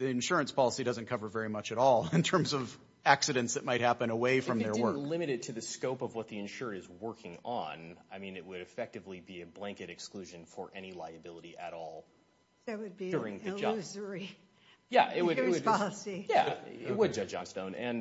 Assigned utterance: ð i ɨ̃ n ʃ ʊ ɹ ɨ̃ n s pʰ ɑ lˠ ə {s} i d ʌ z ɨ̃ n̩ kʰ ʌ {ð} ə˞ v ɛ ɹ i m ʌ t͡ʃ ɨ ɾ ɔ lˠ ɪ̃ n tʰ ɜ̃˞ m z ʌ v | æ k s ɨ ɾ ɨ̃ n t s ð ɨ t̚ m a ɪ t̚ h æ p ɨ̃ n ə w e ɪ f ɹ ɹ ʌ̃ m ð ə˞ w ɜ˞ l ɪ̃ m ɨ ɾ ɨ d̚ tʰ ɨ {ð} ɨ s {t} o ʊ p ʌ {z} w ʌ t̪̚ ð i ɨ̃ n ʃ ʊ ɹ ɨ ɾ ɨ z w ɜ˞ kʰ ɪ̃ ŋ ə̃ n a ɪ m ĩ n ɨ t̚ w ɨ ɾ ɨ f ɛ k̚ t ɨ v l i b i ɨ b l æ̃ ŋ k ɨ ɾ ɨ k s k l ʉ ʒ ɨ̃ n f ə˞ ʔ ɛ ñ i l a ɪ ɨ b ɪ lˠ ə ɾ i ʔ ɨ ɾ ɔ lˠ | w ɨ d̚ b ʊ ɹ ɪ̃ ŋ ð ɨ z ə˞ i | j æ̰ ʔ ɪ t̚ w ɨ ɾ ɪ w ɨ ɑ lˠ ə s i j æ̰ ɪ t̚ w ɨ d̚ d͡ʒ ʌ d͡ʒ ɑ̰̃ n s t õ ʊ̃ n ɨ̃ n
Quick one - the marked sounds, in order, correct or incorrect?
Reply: correct, incorrect, correct, incorrect, incorrect

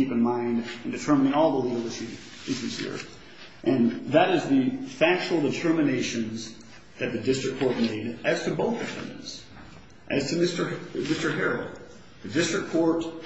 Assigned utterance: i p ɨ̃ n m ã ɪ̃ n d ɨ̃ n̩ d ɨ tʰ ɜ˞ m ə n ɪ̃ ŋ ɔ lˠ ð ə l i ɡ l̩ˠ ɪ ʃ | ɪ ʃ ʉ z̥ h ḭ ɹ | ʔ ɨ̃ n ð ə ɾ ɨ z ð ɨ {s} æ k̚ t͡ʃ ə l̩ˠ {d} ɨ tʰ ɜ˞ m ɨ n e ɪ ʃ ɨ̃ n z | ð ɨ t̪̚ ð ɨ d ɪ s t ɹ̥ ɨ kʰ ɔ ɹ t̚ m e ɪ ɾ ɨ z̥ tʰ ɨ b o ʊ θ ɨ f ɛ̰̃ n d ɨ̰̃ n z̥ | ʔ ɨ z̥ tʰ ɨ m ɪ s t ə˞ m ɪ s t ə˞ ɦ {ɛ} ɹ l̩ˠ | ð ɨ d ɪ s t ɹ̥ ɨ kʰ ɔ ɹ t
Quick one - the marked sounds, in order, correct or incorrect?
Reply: incorrect, correct, correct

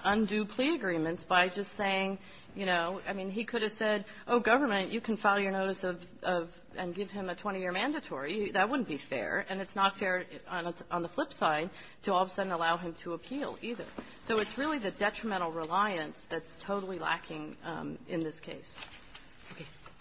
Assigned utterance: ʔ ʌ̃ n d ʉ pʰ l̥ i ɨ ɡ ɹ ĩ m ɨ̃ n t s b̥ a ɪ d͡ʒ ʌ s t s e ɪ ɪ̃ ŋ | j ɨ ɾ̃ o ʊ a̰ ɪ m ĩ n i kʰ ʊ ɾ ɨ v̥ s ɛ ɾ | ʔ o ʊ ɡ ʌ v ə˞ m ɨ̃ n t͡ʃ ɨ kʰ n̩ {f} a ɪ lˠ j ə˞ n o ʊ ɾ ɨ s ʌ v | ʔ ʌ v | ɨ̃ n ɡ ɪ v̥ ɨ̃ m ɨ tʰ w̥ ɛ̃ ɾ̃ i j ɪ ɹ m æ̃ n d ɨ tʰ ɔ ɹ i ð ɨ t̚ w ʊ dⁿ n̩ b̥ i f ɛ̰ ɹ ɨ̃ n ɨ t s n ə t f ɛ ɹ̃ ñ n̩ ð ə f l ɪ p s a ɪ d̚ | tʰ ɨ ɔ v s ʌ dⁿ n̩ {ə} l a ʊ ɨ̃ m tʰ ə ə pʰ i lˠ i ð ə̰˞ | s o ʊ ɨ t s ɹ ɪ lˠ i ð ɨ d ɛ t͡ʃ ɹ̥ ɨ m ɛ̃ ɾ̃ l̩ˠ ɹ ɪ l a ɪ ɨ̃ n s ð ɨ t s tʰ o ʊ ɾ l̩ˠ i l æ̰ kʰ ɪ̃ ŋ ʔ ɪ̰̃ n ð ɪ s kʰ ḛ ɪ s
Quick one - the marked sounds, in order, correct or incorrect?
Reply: correct, correct

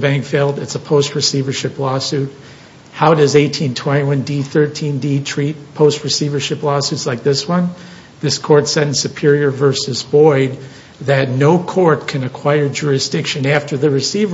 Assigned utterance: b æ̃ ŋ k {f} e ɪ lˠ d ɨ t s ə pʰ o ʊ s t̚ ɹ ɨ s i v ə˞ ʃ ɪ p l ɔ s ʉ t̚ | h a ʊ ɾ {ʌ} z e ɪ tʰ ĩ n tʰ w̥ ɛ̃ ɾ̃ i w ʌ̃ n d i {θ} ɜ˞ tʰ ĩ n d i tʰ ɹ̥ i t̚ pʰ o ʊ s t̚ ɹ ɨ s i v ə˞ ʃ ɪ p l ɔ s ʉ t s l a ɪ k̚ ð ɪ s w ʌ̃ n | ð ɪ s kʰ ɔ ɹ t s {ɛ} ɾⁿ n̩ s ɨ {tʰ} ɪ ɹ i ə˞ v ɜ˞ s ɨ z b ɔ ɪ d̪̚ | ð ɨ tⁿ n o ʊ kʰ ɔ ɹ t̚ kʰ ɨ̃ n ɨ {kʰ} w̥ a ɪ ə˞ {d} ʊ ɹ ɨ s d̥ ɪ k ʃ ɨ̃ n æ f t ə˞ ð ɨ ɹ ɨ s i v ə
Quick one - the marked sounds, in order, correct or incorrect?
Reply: correct, correct, correct, correct, incorrect, correct, incorrect

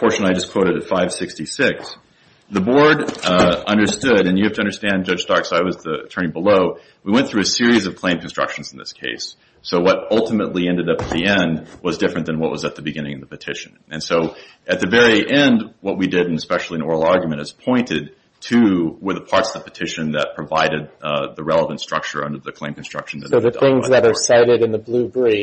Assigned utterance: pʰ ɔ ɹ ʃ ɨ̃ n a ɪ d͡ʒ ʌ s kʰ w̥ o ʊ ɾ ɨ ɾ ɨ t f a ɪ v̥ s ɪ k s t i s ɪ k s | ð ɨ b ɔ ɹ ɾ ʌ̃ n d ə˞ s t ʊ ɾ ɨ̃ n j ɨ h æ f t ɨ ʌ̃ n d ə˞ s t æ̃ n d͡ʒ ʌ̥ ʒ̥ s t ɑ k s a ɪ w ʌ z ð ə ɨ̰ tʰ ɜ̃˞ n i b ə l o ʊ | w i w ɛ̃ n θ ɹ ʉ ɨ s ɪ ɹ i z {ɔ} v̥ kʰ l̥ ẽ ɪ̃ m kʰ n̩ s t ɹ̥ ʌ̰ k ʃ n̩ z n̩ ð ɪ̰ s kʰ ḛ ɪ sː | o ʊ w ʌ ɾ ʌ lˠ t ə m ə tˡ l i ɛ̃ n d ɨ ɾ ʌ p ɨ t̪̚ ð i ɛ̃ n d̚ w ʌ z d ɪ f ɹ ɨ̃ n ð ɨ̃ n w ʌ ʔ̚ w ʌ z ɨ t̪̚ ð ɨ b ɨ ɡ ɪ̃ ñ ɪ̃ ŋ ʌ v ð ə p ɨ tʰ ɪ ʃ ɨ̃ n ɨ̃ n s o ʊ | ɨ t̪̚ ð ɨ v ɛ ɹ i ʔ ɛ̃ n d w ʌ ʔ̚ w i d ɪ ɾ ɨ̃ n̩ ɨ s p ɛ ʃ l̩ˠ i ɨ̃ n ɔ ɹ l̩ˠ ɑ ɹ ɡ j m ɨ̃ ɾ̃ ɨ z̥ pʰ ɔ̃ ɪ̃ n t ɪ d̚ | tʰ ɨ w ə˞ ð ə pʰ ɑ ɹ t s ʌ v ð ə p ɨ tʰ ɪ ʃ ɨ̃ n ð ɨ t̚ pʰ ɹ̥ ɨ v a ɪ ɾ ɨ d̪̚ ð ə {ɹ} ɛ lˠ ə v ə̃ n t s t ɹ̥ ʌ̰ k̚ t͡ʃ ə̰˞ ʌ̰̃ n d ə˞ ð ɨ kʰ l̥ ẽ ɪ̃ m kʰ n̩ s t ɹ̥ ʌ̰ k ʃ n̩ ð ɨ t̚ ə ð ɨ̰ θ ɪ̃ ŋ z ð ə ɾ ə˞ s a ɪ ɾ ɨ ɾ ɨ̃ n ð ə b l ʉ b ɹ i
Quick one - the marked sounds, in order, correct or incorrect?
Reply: incorrect, correct

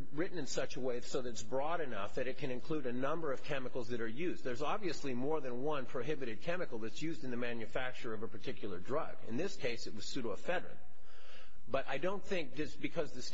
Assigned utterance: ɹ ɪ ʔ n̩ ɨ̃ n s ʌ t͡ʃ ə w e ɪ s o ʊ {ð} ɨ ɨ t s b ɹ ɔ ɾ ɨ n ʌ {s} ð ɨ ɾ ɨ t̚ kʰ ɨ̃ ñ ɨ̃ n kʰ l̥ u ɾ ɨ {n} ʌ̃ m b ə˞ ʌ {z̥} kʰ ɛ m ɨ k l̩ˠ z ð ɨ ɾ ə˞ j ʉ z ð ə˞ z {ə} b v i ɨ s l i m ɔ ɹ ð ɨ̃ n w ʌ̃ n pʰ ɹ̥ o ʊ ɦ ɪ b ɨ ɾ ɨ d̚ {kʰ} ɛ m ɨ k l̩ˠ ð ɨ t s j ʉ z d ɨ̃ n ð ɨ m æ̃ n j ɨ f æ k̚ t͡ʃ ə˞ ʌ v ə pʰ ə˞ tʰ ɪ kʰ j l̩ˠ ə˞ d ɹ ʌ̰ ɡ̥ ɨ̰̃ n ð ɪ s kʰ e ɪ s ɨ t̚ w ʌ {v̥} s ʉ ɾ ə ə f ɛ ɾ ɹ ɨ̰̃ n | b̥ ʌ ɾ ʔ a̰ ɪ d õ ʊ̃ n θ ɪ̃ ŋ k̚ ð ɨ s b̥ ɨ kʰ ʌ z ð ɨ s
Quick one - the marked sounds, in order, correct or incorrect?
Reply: correct, incorrect, correct, incorrect, incorrect, correct, incorrect

